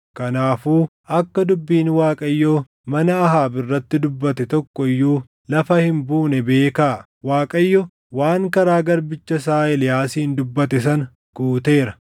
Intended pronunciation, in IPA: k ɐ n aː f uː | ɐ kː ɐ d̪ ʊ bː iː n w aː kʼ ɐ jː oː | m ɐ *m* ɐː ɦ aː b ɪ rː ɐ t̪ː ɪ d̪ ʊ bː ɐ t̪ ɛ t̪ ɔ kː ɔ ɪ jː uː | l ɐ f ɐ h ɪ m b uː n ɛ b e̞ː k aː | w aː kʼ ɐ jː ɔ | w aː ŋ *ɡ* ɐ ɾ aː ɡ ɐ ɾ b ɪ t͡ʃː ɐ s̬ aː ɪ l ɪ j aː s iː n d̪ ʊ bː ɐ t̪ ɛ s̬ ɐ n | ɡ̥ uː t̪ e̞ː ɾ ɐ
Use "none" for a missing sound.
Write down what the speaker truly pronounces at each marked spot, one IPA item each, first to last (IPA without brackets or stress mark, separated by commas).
n, k